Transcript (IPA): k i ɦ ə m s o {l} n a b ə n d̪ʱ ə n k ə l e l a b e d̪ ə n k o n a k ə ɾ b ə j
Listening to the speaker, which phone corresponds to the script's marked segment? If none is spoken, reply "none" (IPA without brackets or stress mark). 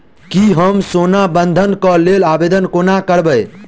none